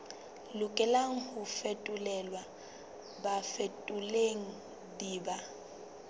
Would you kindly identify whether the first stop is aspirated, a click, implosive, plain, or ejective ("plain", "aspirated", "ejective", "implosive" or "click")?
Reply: ejective